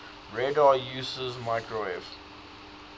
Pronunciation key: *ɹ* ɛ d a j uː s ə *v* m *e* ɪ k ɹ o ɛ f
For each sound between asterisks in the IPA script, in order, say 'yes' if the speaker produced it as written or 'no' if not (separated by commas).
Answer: yes, no, no